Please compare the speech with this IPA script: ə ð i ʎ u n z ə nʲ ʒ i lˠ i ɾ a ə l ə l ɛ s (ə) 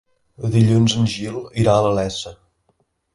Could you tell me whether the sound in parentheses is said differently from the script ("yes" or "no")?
no